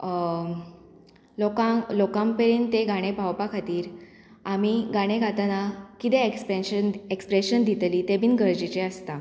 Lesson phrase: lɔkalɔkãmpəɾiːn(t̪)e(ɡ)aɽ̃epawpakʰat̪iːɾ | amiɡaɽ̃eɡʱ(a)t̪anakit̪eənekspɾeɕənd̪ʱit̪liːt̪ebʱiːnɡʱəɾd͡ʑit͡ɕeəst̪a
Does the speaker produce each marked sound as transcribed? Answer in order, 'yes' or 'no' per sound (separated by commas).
yes, yes, yes